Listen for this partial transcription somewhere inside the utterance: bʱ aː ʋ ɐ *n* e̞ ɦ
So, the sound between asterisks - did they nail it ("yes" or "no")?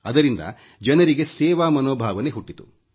yes